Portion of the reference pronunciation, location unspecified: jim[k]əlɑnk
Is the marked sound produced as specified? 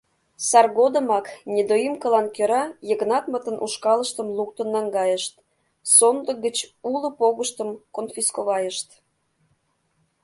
yes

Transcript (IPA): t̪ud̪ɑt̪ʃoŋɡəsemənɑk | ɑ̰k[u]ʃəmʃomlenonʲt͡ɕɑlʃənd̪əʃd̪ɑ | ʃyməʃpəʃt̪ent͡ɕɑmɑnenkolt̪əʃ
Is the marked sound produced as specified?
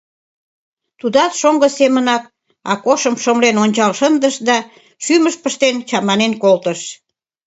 no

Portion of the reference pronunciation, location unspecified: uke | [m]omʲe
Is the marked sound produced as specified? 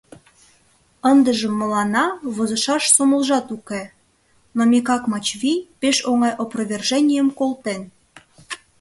no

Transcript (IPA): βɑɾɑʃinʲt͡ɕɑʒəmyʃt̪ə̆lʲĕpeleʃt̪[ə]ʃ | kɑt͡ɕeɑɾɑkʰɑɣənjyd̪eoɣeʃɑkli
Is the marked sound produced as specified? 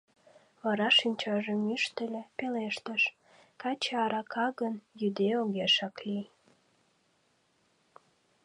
yes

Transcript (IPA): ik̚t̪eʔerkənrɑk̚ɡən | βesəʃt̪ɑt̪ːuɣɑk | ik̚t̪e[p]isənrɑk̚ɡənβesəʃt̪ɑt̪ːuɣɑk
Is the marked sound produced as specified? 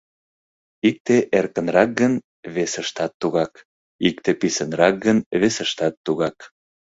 yes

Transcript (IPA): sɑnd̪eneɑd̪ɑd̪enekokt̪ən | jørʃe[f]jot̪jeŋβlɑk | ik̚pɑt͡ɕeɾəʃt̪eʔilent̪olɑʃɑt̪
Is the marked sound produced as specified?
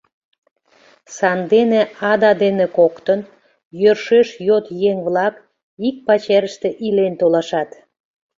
no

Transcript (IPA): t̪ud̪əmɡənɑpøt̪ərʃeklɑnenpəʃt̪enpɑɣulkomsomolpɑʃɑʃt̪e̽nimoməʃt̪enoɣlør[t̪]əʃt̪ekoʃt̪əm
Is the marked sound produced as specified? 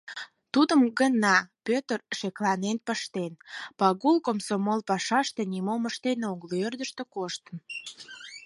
no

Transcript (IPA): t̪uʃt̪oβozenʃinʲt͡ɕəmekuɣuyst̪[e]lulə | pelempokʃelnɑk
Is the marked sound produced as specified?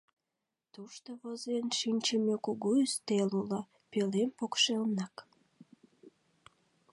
yes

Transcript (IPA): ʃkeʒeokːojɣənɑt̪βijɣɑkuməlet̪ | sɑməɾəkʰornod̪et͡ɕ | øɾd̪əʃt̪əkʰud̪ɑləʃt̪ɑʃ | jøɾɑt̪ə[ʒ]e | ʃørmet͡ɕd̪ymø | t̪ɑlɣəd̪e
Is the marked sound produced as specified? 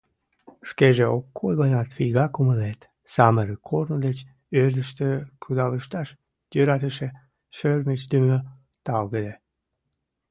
no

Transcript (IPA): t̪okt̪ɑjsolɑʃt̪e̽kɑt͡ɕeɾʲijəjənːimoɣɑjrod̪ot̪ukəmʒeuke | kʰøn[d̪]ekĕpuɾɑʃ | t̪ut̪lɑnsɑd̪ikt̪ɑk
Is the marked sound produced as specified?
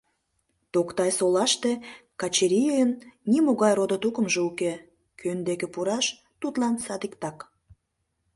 yes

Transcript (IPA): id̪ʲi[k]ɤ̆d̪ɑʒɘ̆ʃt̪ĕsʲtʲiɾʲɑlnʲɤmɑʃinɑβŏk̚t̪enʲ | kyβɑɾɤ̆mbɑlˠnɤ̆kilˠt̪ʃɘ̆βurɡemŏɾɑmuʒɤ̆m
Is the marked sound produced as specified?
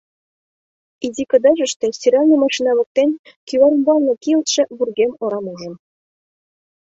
yes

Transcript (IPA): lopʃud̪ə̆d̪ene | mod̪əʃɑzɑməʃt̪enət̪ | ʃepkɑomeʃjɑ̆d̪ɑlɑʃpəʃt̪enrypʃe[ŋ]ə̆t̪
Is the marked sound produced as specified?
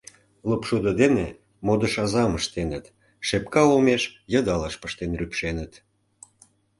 no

